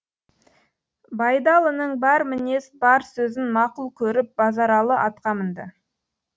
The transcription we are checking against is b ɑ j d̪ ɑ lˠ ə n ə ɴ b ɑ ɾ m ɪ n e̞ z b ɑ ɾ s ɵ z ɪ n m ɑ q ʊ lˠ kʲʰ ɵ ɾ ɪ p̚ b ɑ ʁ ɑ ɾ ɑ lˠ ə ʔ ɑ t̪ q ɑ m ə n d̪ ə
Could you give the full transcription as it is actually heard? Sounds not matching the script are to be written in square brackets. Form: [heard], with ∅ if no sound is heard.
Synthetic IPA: b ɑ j d̪ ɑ lˠ ə n ə ɴ b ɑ ɾ m ɪ n e̞ [s] b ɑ ɾ s ɵ z ɪ n m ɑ q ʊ lˠ kʲʰ ɵ ɾ ɪ p̚ b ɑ [z] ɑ ɾ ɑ lˠ ə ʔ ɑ t̪ q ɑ m ə n d̪ ə